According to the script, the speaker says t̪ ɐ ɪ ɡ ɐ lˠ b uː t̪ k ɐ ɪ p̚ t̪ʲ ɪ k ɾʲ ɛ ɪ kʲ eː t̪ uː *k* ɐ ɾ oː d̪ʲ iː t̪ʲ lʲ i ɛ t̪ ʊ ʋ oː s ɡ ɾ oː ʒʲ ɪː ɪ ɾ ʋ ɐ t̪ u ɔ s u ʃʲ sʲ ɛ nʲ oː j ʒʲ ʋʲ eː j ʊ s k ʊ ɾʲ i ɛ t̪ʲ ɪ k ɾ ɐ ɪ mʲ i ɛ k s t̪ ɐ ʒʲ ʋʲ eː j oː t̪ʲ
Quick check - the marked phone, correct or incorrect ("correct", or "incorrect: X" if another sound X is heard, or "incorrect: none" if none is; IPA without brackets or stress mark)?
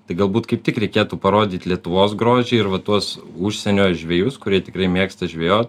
incorrect: p